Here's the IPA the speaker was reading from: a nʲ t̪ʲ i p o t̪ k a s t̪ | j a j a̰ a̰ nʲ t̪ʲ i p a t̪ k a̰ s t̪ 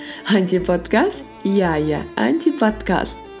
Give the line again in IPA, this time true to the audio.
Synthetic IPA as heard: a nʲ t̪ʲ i p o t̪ k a s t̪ | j a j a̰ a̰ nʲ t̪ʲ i p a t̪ k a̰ s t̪